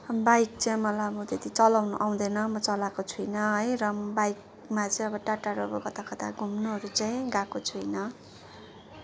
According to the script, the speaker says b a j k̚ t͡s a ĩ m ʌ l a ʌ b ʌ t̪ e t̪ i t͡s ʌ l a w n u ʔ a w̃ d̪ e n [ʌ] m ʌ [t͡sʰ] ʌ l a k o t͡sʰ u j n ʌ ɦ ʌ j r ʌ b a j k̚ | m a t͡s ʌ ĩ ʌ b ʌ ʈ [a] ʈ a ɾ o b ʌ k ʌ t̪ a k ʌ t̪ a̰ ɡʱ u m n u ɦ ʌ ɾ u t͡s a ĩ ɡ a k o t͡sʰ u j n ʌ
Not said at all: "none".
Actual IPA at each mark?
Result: ʌ, t͡s, a

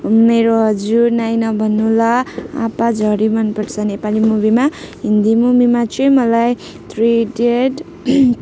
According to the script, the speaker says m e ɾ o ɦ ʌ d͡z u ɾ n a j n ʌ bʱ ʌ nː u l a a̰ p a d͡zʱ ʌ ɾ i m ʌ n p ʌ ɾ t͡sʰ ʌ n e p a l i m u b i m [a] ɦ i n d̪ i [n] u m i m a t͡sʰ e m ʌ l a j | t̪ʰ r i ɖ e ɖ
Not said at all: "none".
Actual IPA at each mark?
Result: a, m

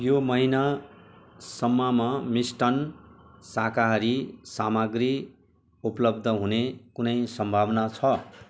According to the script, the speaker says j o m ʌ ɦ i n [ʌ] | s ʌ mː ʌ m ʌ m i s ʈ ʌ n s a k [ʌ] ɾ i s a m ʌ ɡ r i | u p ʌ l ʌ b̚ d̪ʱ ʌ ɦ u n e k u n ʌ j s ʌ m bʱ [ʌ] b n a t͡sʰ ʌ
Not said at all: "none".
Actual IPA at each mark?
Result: a, a, a

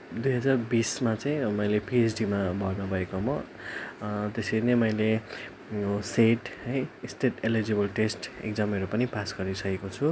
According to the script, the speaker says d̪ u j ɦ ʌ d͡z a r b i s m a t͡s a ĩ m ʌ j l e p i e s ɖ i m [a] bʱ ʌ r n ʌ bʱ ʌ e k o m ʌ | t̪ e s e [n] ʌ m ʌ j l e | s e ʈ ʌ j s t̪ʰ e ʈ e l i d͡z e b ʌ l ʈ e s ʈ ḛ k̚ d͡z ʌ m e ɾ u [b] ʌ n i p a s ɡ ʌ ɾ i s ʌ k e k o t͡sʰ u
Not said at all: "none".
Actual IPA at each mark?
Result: a, n, p

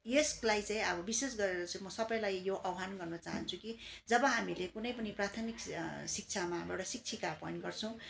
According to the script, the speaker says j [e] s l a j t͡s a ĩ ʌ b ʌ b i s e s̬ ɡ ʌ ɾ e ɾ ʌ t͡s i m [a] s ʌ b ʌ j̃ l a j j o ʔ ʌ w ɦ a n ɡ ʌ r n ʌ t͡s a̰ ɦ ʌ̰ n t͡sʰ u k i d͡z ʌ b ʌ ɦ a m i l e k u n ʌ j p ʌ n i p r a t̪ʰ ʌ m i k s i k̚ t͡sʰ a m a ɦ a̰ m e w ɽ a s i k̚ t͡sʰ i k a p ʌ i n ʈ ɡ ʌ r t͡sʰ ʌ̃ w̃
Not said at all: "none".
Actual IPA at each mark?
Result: e, ʌ

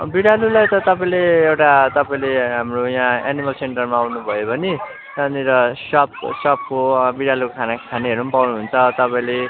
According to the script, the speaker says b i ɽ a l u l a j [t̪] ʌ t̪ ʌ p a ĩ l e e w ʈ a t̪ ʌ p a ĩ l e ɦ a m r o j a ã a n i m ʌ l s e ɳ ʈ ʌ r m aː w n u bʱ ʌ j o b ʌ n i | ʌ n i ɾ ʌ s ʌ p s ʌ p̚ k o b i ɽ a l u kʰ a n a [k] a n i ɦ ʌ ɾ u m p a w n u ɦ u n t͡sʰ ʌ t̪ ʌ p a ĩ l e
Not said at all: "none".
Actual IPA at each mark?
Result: t̪, kʰ

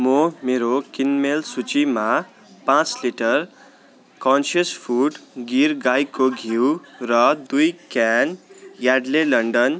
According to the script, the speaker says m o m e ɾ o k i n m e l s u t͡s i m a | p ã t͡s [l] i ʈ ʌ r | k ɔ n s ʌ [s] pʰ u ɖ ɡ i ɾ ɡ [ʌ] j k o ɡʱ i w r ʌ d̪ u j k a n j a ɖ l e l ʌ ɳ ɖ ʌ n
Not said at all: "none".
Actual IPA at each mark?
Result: l, s, a

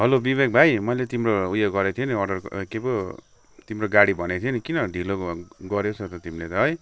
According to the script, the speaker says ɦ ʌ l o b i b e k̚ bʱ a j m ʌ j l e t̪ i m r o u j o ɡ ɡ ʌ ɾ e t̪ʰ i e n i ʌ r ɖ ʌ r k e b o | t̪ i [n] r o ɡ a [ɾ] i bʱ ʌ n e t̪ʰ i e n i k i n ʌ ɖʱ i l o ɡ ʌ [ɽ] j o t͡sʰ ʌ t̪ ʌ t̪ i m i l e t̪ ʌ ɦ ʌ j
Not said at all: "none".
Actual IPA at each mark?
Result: m, ɽ, ɾ

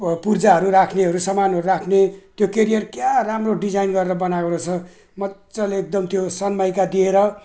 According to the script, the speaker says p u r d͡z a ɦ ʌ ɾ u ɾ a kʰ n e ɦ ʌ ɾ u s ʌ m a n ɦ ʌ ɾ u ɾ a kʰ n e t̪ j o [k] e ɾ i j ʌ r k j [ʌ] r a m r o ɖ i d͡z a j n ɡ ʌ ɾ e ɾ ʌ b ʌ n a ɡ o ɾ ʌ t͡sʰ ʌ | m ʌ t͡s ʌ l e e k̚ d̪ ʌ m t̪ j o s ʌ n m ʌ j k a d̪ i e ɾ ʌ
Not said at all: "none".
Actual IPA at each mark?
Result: k, a

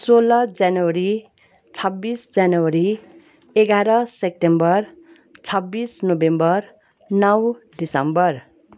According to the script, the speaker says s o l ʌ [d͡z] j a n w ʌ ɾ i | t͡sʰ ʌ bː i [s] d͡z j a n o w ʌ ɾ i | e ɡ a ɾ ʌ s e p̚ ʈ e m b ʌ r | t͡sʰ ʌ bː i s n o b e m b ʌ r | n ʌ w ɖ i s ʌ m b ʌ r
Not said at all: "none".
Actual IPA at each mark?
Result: d͡z, s

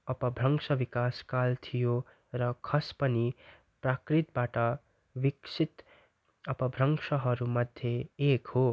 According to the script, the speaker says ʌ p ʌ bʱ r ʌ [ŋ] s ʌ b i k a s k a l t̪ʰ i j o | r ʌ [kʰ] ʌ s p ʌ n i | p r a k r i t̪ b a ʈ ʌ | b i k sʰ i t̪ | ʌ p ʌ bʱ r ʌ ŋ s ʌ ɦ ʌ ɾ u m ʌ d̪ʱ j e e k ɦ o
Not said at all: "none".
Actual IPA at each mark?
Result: ŋ, kʰ

